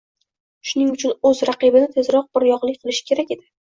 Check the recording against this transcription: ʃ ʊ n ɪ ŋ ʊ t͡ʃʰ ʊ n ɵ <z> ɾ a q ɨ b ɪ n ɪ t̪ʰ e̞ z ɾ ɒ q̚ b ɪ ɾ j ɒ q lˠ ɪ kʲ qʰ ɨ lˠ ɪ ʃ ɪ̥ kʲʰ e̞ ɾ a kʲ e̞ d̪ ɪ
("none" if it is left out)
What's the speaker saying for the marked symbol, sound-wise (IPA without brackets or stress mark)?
z